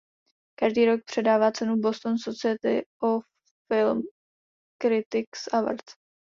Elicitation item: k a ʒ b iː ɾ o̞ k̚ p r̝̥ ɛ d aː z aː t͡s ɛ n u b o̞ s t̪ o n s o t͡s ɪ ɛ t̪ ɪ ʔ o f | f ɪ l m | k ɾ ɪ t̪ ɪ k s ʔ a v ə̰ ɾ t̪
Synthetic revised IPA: k a ʒ d iː ɾ o̞ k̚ p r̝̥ ɛ d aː v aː t͡s ɛ n u b o̞ s t̪ o n s o t͡s ɪ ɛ t̪ ɪ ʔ o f | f ɪ l m | k ɾ ɪ t̪ ɪ k s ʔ a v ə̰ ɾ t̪